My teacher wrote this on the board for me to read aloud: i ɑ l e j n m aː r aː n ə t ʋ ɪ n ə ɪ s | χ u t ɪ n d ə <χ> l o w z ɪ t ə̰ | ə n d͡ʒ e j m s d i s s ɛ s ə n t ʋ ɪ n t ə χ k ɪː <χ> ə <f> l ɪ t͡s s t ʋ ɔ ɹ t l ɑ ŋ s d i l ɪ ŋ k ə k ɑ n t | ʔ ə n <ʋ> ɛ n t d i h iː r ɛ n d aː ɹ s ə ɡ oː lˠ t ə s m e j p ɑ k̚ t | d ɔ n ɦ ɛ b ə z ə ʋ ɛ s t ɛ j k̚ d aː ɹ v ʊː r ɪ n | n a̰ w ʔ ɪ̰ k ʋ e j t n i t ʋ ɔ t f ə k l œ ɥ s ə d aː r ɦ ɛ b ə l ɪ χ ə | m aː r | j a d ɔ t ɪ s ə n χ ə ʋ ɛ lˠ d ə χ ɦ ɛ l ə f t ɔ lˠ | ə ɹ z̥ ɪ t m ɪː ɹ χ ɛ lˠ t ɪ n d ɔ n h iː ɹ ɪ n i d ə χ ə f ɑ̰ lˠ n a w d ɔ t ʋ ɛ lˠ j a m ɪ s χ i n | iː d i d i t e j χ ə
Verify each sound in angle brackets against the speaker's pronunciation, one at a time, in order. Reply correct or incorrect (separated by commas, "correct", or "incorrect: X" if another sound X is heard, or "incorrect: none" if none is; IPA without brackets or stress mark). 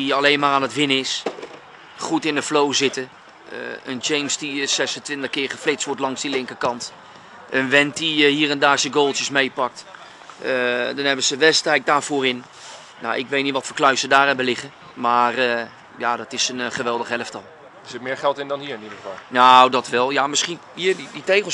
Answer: incorrect: f, correct, correct, correct